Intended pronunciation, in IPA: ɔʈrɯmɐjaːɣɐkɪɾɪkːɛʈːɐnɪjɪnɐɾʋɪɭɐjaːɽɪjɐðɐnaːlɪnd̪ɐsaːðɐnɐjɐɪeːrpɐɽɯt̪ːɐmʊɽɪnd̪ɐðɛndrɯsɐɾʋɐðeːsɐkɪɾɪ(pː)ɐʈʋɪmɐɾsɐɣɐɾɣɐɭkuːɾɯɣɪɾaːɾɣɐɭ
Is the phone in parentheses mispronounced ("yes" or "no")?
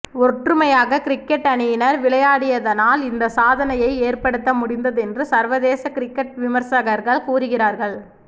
yes